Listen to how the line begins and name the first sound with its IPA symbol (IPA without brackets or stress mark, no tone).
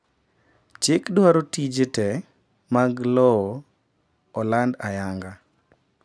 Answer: t͡ʃ